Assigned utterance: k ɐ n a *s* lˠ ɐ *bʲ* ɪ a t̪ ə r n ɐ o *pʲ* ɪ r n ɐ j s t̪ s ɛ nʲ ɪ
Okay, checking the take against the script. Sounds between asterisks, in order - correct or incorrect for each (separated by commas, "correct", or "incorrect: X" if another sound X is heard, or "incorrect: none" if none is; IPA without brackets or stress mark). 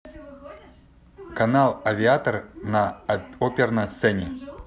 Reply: incorrect: none, incorrect: vʲ, correct